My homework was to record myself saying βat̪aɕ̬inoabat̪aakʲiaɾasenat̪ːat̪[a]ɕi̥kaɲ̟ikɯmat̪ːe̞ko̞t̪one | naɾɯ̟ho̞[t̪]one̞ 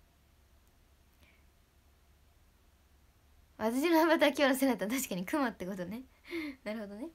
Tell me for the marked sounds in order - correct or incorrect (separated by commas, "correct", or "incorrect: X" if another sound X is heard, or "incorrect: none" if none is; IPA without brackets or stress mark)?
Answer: correct, incorrect: d̪